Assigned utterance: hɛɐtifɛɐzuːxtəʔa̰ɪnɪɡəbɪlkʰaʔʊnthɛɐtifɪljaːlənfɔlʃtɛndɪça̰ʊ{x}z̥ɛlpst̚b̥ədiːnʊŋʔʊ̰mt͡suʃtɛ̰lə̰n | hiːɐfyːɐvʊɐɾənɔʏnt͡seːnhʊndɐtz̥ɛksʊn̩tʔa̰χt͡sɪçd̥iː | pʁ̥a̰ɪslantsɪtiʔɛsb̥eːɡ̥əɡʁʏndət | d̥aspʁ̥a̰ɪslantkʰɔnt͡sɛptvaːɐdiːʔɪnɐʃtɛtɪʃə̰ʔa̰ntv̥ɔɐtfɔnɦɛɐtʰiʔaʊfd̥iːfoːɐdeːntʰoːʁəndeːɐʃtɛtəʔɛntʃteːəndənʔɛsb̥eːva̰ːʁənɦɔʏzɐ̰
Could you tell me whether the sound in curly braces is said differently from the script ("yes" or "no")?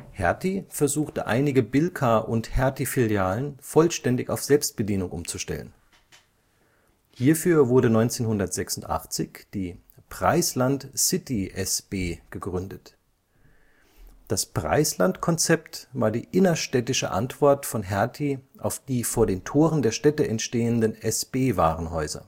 yes